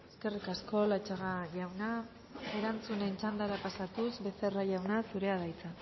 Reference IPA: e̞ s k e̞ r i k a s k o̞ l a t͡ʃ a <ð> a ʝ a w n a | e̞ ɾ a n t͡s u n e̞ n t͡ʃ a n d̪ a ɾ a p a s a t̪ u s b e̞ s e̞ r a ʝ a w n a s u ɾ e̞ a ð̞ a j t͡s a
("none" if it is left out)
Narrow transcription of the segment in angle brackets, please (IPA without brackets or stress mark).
ɣ